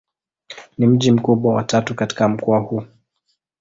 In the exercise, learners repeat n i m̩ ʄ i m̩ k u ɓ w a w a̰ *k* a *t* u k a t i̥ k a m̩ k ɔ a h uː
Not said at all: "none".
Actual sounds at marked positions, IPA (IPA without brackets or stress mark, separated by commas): t, t